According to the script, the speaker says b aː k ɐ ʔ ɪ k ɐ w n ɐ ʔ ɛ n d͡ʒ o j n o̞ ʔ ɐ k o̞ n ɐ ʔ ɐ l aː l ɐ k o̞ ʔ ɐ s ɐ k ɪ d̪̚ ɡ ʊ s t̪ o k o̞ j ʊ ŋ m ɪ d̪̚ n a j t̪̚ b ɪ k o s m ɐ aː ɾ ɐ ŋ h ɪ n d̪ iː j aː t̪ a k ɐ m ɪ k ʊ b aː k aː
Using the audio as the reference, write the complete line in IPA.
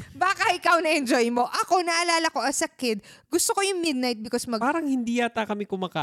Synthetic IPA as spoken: b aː k ɐ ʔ ɪ k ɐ w n ɐ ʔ ɛ n d͡ʒ o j m o̞ ʔ ɐ k o̞ n ɐ ʔ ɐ l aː l ɐ k o̞ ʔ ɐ s ɐ k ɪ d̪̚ ɡ ʊ s t̪ o k o̞ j ʊ ŋ m ɪ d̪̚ n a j t̪̚ b ɪ k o s m ɐ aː ɾ ɐ ŋ h ɪ n d̪ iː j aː t̪ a k ɐ m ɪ k ʊ m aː k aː